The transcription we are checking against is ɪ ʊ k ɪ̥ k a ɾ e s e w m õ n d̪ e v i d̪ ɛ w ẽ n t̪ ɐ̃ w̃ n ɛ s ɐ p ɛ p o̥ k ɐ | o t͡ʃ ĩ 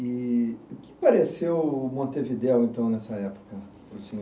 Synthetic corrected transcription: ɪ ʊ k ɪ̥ p a ɾ e s e w m õ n t̪ e v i d̪ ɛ w ẽ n t̪ ɐ̃ w̃ n ɛ s ɐ ɛ p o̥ k ɐ | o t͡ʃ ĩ